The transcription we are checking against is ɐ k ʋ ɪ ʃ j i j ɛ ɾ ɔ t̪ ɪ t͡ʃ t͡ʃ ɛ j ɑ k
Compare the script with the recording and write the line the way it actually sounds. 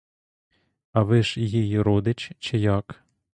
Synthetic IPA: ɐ ʋ ɪ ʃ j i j i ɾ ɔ d̪ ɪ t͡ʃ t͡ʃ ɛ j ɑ k